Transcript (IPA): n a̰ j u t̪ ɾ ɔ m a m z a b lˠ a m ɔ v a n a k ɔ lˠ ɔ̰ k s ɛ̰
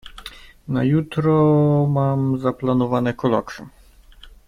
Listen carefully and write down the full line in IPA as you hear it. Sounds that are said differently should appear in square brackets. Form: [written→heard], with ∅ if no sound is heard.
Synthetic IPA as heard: n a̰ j u t̪ ɾ ɔ m a m z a [b→p] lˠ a [m→n] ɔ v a n [a→ɛ] k ɔ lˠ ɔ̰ k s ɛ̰